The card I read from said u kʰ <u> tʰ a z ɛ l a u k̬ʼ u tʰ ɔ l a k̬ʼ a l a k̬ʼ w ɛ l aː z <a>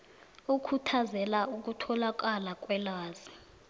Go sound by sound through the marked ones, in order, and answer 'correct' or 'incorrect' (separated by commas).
correct, incorrect